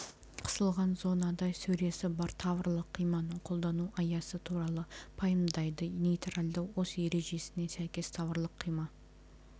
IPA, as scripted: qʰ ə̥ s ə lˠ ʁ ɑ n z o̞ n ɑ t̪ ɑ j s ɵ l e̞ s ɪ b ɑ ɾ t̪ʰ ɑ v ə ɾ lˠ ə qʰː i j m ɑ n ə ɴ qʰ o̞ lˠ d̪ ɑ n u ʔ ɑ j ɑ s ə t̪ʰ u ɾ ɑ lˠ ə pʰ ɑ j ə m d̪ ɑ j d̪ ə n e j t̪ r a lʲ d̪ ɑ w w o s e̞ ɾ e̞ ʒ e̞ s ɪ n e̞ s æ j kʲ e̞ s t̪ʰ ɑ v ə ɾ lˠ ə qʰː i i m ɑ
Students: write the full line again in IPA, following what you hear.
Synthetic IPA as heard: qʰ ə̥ s ə lˠ ʁ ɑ n z o̞ n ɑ d̪ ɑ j s ɵ ɾ e̞ s ɪ b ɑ ɾ t̪ʰ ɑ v ə ɾ lˠ ə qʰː i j m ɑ n ə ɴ qʰ o̞ lˠ d̪ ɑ n u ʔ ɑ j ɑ s ə t̪ʰ u ɾ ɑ lˠ ə pʰ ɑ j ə m d̪ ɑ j d̪ ə n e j t̪ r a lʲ d̪ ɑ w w o s e̞ ɾ e̞ ʒ e̞ s ɪ n e̞ s æ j kʲ e̞ s t̪ʰ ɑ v ə ɾ lˠ ə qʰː i j m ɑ